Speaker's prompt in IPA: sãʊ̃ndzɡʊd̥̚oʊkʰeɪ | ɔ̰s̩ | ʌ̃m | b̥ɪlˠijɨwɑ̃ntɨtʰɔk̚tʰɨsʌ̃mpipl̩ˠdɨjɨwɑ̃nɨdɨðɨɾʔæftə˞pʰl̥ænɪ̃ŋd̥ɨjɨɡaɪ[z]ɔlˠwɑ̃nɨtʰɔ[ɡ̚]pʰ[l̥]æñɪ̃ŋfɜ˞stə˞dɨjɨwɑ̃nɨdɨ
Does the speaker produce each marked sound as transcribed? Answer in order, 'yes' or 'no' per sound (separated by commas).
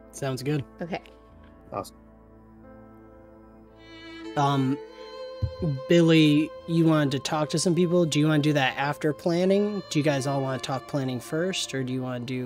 yes, no, yes